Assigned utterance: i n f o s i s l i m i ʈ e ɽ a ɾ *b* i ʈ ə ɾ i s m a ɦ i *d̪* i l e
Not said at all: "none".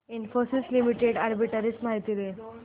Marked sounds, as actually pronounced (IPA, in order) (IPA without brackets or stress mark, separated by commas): b, t̪